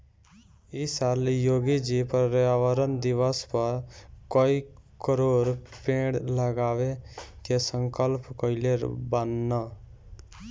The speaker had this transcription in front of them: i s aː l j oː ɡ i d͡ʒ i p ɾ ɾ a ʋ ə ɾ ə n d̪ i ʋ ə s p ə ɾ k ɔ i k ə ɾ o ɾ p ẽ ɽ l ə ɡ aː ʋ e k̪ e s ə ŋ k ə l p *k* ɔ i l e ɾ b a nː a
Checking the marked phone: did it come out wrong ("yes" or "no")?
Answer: no